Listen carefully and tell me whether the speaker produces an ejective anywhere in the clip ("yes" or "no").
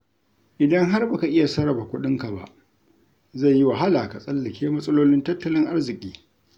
yes